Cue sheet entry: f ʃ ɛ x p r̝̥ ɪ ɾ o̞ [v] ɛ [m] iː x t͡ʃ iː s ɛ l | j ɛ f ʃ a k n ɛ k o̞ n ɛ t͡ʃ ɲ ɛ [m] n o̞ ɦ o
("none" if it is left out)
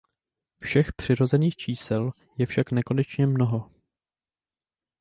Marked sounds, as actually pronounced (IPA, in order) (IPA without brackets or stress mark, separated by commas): z, n, m